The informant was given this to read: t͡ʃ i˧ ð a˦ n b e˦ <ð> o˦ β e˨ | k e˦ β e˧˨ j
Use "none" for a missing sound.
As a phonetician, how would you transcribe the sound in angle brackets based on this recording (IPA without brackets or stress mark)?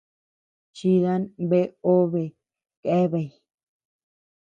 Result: none